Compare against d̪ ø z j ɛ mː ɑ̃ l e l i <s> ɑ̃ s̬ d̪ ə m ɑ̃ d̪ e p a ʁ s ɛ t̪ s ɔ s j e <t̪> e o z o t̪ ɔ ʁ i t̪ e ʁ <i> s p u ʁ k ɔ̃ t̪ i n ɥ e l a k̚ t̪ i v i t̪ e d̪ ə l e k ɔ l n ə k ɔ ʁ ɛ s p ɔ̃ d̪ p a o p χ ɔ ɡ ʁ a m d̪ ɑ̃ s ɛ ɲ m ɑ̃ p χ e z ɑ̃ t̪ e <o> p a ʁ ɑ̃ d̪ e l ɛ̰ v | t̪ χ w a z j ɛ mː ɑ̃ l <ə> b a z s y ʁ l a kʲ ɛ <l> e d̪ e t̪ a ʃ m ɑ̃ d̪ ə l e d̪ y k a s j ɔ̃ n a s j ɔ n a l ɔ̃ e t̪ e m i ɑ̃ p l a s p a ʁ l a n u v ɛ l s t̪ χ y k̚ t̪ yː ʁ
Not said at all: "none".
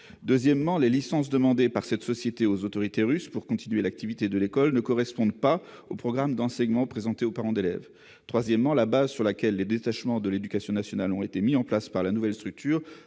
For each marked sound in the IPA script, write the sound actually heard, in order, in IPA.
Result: s, t̪, y, o, a, lː

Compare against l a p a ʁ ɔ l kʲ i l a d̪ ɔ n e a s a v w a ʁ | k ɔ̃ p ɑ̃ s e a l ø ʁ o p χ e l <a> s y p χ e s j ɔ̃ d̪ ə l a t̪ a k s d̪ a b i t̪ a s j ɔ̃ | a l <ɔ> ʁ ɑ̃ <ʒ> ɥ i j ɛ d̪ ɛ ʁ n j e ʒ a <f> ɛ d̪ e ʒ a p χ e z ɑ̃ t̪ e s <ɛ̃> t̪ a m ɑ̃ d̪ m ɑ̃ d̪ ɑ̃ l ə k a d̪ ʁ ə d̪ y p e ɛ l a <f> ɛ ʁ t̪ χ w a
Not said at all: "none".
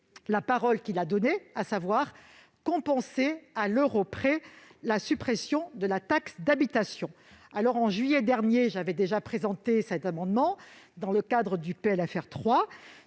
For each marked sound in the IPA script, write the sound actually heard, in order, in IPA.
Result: a, ɔ, ʒ, v, ɛ, f

